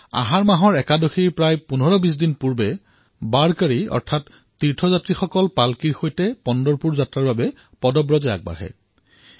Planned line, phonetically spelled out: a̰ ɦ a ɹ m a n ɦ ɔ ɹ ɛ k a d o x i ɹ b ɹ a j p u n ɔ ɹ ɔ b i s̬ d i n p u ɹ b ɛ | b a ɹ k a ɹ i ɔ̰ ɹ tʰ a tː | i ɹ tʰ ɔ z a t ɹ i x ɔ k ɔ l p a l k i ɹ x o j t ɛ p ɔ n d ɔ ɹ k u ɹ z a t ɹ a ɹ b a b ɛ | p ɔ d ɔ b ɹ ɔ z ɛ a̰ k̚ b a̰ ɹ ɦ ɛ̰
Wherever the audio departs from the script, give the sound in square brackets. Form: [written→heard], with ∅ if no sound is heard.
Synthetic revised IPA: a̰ ɦ a ɹ m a [n→∅] ɦ ɔ ɹ ɛ k a d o x i ɹ [b→p] ɹ a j p u n ɔ ɹ ɔ b i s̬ d i n p u ɹ b ɛ | b a ɹ k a ɹ i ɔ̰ ɹ tʰ a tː | i ɹ tʰ ɔ z a t ɹ i x ɔ k ɔ l p a l k i ɹ x o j t ɛ p ɔ n d ɔ ɹ [k→p] u ɹ z a t ɹ a ɹ b a b ɛ | p ɔ d ɔ b ɹ ɔ z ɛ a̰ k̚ b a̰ ɹ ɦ ɛ̰